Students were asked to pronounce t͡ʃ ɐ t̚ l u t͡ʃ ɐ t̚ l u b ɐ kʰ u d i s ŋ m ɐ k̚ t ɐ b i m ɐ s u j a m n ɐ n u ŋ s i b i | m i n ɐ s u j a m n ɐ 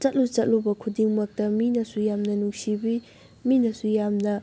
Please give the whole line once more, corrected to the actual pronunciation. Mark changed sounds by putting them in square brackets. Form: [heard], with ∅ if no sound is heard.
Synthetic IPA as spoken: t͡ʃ ɐ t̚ l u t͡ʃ ɐ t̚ l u b ɐ kʰ u d i [∅] ŋ m ɐ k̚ t ɐ [m] i [n] ɐ s u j a m n ɐ n u ŋ s i b i | m i n ɐ s u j a m n ɐ